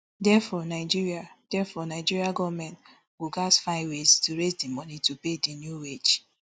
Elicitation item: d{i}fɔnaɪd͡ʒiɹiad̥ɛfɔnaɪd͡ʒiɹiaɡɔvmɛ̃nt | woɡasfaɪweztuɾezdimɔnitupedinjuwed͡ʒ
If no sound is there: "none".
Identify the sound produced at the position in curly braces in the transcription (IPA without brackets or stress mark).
ɛ